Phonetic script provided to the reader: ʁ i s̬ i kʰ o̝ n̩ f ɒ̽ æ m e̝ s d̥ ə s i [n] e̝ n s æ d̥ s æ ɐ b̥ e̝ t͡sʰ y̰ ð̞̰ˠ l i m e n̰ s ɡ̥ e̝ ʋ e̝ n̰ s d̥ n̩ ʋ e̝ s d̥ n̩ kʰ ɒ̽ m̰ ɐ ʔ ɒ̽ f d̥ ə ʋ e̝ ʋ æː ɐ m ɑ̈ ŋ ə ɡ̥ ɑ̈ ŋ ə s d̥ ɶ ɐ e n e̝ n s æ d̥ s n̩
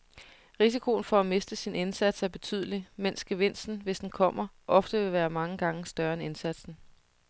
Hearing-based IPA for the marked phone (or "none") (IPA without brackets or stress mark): n